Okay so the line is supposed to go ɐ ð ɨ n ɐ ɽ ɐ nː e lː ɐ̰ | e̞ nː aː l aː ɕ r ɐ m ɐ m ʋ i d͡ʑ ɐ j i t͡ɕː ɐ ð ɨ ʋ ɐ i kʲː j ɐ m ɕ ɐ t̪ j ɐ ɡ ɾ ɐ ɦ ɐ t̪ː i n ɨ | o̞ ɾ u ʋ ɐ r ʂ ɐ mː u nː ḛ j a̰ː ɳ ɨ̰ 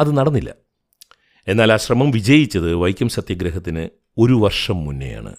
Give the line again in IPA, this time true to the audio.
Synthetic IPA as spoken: ɐ ð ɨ n ɐ ɽ ɐ nː i lː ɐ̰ | e̞ nː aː l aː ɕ r ɐ m ɐ m ʋ i d͡ʑ ɐ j i t͡ɕː ɐ ð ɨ ʋ ɐ j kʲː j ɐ m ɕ ɐ t̪ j ɐ ɡ ɾ ɐ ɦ ɐ t̪ː i n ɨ | o̞ ɾ u ʋ ɐ r ʂ ɐ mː u nː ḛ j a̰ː ɳ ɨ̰